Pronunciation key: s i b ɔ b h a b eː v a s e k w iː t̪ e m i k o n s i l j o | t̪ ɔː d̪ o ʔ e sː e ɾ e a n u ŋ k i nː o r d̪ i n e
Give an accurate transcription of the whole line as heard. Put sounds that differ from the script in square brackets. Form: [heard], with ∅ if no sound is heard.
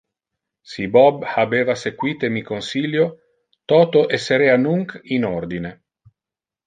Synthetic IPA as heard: s i b ɔ b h a b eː v a s e k w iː t̪ e m i k o n s i l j o | t̪ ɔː [t̪] o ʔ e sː e ɾ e a n u ŋ k i [n] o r d̪ i n e